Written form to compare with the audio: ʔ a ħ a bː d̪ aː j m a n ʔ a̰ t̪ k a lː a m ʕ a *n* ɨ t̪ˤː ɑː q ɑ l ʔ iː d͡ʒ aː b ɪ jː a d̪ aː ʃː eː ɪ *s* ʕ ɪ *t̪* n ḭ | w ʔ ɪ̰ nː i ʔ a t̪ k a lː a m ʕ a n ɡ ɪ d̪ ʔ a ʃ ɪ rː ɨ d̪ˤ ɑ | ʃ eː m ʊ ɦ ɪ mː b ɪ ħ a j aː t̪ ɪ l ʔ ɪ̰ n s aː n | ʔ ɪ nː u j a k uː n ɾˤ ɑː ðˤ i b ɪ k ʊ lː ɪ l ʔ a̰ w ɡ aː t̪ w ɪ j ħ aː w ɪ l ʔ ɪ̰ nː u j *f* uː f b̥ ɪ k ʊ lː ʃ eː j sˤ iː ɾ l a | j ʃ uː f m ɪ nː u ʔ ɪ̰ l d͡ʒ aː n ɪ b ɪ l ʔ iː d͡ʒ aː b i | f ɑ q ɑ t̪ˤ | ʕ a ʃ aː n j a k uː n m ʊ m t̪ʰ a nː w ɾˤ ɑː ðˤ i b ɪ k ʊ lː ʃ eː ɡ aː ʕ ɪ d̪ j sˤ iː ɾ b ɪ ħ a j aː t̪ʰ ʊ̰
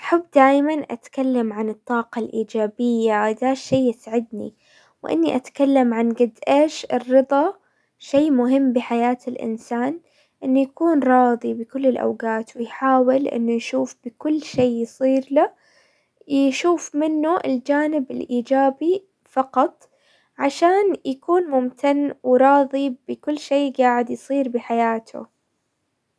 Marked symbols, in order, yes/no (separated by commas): yes, yes, no, no